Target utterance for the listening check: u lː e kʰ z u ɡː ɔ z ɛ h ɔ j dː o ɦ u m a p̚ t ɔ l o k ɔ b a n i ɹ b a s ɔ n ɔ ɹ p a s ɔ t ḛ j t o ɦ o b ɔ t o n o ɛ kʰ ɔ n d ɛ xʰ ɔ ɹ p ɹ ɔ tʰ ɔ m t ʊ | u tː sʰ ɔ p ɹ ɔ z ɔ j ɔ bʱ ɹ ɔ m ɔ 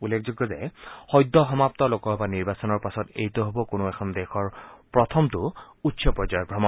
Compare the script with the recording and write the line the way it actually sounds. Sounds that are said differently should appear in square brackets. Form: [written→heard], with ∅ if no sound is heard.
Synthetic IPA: u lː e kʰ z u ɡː ɔ z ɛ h ɔ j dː [o→ɔ] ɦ [u→ɔ] m a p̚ t ɔ l o k ɔ b a n i ɹ b a s ɔ n ɔ ɹ p a s ɔ t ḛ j t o ɦ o b ɔ [t→k] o n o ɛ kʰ ɔ n d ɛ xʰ ɔ ɹ p ɹ ɔ tʰ ɔ m t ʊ | u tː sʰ ɔ p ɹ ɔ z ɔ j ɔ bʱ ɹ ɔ m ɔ